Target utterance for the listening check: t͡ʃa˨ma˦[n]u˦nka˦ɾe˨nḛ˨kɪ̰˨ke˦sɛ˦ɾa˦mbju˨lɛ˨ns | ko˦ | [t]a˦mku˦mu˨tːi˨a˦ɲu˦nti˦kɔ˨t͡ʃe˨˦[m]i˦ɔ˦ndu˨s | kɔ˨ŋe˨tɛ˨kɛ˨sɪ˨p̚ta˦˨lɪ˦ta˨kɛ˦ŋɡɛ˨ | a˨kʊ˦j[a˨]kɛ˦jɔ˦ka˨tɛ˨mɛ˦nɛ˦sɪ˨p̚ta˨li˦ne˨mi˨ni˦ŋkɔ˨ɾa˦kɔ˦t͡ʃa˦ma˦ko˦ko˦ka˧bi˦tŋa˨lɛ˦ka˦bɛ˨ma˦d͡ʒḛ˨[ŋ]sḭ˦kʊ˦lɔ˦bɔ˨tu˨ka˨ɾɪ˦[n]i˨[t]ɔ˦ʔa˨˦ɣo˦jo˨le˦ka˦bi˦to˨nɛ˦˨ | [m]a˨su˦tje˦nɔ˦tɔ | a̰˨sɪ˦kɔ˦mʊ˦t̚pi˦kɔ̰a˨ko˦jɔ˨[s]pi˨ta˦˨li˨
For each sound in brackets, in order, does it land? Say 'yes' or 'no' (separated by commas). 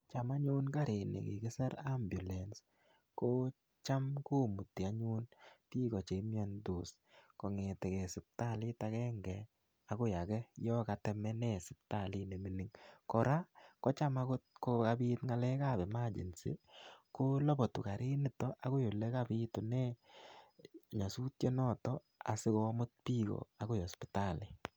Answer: no, no, yes, yes, no, yes, yes, no, yes